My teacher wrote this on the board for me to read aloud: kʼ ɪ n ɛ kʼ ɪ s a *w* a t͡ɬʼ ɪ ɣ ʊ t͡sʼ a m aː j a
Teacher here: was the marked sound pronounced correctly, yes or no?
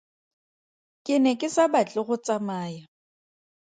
no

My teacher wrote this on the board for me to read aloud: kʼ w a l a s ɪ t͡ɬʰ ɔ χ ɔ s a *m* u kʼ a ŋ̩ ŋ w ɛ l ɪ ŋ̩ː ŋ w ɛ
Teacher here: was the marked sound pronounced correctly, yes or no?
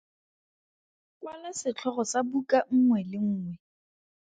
no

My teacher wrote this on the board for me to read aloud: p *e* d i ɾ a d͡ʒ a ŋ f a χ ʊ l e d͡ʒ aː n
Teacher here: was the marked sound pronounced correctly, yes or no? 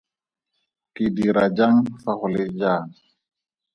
no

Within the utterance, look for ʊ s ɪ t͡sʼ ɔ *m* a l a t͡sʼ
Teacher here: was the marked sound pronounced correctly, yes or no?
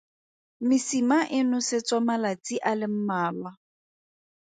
yes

